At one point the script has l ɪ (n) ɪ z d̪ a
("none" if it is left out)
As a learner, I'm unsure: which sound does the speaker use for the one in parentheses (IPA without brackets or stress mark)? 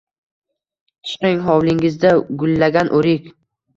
ŋ